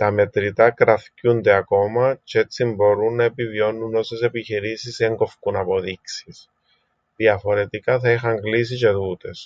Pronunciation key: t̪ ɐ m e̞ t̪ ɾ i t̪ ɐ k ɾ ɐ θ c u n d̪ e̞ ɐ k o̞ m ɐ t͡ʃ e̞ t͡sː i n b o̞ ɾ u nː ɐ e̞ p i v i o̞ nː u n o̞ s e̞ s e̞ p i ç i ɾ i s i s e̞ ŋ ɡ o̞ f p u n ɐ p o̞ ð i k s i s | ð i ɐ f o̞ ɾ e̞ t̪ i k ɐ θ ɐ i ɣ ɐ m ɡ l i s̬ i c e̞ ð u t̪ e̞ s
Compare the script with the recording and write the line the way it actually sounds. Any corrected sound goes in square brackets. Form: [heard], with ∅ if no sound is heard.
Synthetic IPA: t̪ ɐ m e̞ t̪ ɾ i t̪ ɐ k ɾ ɐ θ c u n d̪ e̞ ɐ k o̞ m ɐ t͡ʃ e̞ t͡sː i [m] b o̞ ɾ u nː ɐ e̞ p i v i o̞ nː u n o̞ s e̞ s e̞ p i ç i ɾ i s i s e̞ ŋ ɡ o̞ f [k] u n ɐ p o̞ ð i k s i s | ð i ɐ f o̞ ɾ e̞ t̪ i k ɐ θ ɐ i [x] ɐ [ŋ] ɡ l i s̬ i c e̞ ð u t̪ e̞ s